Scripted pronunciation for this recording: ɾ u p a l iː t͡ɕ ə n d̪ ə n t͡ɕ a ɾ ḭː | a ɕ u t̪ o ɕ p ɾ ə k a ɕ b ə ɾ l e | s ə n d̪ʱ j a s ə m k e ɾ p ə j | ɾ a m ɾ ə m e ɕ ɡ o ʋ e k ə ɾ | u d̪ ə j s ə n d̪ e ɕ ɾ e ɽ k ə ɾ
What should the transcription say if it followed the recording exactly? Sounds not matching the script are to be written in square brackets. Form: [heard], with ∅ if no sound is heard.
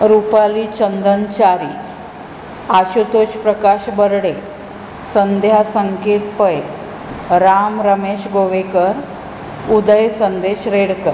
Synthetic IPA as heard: ɾ u p a l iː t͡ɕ ə n d̪ ə n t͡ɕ a ɾ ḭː | a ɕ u t̪ o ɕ p ɾ ə k a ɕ b ə ɾ [ɽ] e | s ə n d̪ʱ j a s ə [ŋ] k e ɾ p ə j | ɾ a m ɾ ə m e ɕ ɡ o ʋ e k ə ɾ | u d̪ ə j s ə n d̪ e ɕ ɾ e ɽ k ə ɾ